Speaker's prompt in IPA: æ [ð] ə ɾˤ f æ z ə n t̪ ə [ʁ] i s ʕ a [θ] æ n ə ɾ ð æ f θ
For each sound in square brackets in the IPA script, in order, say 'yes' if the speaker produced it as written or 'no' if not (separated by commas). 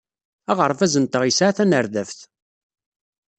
no, yes, yes